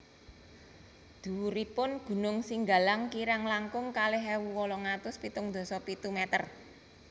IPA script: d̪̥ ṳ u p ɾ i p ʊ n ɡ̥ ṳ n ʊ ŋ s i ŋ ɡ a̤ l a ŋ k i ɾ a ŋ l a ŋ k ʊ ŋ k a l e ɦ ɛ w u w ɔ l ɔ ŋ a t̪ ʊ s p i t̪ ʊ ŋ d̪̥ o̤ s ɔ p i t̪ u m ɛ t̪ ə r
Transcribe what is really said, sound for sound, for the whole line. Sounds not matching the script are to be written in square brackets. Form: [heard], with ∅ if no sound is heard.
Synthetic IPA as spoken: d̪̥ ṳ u [∅] ɾ i p ʊ n ɡ̥ ṳ n ʊ ŋ s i ŋ ɡ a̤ l a ŋ k i ɾ a ŋ l a ŋ k ʊ ŋ k a l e ɦ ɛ w u w ɔ l ɔ ŋ a t̪ ʊ s p i t̪ ʊ ŋ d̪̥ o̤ s ɔ p i t̪ u m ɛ t̪ ə r